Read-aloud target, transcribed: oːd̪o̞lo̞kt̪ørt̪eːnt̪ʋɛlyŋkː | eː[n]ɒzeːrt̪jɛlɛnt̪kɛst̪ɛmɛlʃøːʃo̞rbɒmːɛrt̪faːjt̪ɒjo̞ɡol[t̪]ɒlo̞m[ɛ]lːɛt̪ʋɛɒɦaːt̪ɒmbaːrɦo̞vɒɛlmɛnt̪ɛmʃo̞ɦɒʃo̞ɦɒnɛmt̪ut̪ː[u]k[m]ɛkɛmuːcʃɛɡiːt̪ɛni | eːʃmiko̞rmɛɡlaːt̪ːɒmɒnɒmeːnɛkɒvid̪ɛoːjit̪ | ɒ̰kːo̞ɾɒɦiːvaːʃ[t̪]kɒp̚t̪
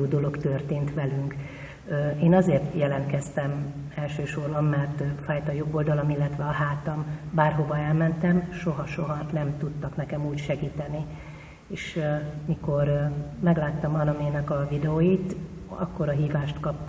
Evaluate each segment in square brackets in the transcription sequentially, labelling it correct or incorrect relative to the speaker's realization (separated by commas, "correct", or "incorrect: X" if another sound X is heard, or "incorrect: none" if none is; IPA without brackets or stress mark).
correct, incorrect: d̪, incorrect: i, incorrect: ɒ, incorrect: n, correct